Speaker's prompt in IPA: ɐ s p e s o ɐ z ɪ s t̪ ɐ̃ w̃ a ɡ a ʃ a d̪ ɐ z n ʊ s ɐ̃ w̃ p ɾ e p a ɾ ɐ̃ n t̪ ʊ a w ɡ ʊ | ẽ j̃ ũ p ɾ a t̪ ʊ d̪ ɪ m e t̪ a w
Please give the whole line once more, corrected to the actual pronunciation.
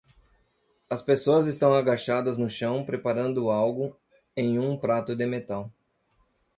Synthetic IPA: ɐ s p e s o ɐ z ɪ s t̪ ɐ̃ w̃ a ɡ a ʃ a d̪ ɐ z n ʊ ʃ ɐ̃ w̃ p ɾ e p a ɾ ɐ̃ n d̪ ʊ a w ɡ ʊ | ẽ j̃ ũ p ɾ a t̪ ʊ d̪ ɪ m e t̪ a w

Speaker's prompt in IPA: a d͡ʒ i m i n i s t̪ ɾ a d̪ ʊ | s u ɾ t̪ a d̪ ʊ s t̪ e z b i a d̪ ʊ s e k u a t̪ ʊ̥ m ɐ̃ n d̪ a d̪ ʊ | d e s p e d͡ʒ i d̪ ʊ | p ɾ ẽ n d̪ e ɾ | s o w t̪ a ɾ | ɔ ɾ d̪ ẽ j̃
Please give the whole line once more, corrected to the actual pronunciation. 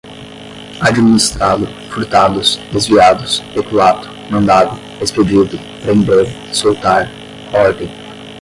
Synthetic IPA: a d͡ʒ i m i n i s t̪ ɾ a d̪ ʊ | f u ɾ t̪ a d̪ ʊ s d̪ e z v i a d̪ ʊ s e k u a t̪ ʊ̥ m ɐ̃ n d̪ a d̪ ʊ | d e s p e d͡ʒ i d̪ ʊ | p ɾ ẽ n d̪ e ɾ | s o w t̪ a ɾ | ɔ ɾ d̪ ẽ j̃

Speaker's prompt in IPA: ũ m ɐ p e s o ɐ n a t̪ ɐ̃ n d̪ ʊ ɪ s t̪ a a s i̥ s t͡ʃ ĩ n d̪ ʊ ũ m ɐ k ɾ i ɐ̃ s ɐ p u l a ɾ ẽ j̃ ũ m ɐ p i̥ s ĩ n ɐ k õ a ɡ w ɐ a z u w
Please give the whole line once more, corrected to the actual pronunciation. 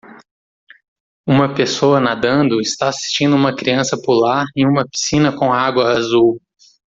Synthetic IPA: ũ m ɐ p e s o ɐ n a d̪ ɐ̃ n d̪ ʊ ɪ s t̪ a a s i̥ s t͡ʃ ĩ n d̪ ʊ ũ m ɐ k ɾ i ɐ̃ s ɐ p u l a ɾ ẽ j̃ ũ m ɐ p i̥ s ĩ n ɐ k õ a ɡ w ɐ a z u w

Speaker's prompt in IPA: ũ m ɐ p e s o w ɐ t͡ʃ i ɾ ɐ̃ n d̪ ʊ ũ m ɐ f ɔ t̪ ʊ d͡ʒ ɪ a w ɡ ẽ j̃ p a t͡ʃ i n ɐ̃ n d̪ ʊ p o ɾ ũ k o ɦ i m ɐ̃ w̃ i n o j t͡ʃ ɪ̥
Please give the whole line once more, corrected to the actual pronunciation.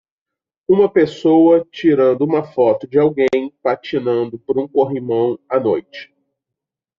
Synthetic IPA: ũ m ɐ p e s o w ɐ t͡ʃ i ɾ ɐ̃ n d̪ ʊ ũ m ɐ f ɔ t̪ ʊ d͡ʒ ɪ a w ɡ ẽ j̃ p a t͡ʃ i n ɐ̃ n d̪ ʊ p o ɾ ũ k o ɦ i m ɐ̃ w̃ a n o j t͡ʃ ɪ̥

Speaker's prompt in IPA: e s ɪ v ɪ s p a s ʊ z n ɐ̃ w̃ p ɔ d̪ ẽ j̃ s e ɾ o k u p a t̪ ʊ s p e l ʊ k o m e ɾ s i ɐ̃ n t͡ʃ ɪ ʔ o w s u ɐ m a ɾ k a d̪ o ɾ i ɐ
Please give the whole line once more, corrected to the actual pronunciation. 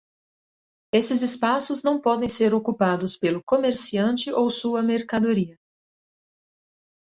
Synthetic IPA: e s ɪ z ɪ s p a s ʊ z n ɐ̃ w̃ p ɔ d̪ ẽ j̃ s e ɾ o k u p a d̪ ʊ s p e l ʊ k o m e ɾ s i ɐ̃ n t͡ʃ ɪ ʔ o w s u ɐ m e ɾ k a d̪ o ɾ i ɐ

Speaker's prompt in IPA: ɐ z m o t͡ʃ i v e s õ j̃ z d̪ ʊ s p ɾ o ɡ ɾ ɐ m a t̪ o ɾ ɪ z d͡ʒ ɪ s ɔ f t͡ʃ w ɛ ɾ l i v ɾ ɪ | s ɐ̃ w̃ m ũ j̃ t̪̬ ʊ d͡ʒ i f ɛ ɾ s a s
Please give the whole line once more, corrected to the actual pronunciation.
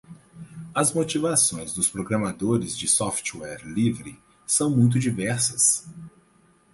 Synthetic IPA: ɐ z m o t͡ʃ i v a s õ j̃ z d̪ ʊ s p ɾ o ɡ ɾ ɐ m a d̪ o ɾ ɪ z d͡ʒ ɪ s ɔ f t͡ʃ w ɛ ɾ l i v ɾ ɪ | s ɐ̃ w̃ m ũ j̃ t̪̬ ʊ d͡ʒ i v ɛ ɾ s ɐ s

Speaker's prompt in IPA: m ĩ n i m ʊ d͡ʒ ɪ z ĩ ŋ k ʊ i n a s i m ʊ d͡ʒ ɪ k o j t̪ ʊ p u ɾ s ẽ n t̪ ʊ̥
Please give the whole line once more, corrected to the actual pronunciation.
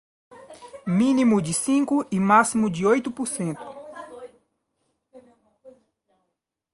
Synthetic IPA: m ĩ n i m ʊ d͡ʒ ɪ s ĩ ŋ k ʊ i m a s i m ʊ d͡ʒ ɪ o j t̪ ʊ p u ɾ s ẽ n t̪ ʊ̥

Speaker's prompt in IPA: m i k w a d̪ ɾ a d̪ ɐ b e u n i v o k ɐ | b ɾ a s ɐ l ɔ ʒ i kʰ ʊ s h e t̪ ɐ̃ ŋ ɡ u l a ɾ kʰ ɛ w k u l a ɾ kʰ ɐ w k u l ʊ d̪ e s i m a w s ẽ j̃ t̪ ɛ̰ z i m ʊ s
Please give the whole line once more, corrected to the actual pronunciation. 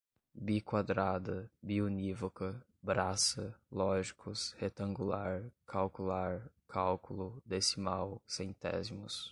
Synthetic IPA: b i k w a d̪ ɾ a d̪ ɐ b i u n i v o k ɐ | b ɾ a s ɐ l ɔ ʒ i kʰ ʊ s h e t̪ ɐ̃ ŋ ɡ u l a ɾ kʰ a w k u l a ɾ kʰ a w k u l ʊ d̪ e s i m a w s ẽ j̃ t̪ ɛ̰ z i m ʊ s

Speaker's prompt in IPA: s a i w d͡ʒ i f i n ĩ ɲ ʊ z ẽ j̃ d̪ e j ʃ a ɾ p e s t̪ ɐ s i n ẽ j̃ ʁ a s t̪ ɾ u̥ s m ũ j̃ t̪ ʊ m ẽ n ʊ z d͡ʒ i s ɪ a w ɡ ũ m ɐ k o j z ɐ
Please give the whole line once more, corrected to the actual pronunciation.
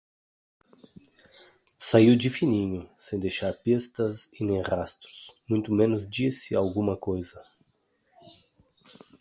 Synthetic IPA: s a i w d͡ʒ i f i n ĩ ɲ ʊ s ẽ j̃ d̪ e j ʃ a ɾ p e s t̪ ɐ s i n ẽ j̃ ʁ a s t̪ ɾ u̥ s m ũ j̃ t̪ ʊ m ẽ n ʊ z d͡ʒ i s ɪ a w ɡ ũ m ɐ k o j z ɐ

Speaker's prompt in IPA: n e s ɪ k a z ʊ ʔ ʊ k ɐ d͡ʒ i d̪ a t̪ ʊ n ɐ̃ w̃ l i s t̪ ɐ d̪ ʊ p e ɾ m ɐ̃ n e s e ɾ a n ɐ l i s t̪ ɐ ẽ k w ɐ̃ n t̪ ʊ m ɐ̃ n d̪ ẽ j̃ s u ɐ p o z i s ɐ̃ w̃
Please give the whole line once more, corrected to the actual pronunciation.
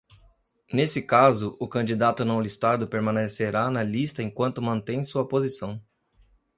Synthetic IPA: n e s ɪ k a z ʊ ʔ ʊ k ɐ̃ d͡ʒ i d̪ a t̪ ʊ n ɐ̃ w̃ l i s t̪ a d̪ ʊ p e ɾ m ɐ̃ n e s e ɾ a n ɐ l i s t̪ ɐ ẽ k w ɐ̃ n t̪ ʊ m ɐ̃ n t̪ ẽ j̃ s u ɐ p o z i s ɐ̃ w̃

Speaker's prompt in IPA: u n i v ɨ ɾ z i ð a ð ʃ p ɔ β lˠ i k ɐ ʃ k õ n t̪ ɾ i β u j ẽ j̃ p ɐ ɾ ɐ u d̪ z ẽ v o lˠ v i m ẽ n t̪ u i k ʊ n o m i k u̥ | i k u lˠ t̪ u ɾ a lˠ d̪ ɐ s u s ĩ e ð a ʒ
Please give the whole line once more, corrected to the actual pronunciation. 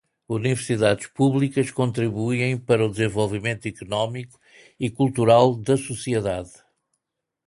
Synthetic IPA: u n i v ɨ ɾ s i ð a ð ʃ p u β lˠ i k ɐ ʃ k õ n t̪ ɾ i β u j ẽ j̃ p ɐ ɾ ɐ u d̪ z ẽ v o lˠ v i m ẽ n t̪ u i k u n ɔ m i k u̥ | i k u lˠ t̪ u ɾ a lˠ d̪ ɐ s u s i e ð a ð

